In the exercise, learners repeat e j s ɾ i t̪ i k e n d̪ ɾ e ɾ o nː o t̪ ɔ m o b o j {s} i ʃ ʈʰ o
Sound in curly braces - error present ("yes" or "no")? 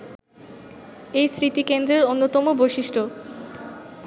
yes